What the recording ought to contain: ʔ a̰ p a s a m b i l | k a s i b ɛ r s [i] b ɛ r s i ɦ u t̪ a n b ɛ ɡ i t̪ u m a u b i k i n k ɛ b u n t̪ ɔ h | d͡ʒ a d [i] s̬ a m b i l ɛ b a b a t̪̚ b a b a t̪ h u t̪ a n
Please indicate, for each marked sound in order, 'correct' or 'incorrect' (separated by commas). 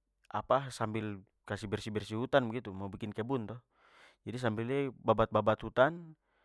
correct, correct